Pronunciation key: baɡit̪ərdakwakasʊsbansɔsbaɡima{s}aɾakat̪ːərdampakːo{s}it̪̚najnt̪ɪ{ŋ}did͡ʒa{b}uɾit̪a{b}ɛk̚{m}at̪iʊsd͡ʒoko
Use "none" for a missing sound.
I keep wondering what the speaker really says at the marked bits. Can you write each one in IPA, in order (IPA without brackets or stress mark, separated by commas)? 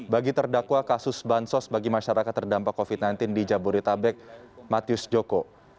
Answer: ʃ, f, n, b, b, m